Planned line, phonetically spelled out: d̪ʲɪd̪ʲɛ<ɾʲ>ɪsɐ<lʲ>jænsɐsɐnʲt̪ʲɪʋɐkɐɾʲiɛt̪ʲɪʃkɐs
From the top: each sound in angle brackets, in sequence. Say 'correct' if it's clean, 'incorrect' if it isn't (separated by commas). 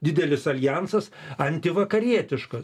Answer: incorrect, correct